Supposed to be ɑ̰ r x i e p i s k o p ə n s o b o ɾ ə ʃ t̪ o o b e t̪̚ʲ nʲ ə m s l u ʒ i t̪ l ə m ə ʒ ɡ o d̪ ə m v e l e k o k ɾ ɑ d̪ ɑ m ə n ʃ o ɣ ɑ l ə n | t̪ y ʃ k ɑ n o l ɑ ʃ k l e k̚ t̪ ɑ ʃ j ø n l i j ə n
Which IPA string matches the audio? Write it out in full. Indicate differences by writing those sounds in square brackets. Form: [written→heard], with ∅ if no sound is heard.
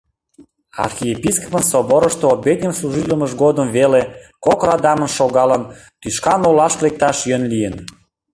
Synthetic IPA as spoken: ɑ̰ r x i e p i s k o p ə n s o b o ɾ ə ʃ t̪ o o b e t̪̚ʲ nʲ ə m s l u ʒ i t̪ l ə m ə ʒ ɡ o d̪ ə m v e l e k o k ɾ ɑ d̪ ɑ m ə n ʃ o ɣ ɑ l ə n | t̪ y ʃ k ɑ n o l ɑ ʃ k l e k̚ t̪ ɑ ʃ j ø n l i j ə n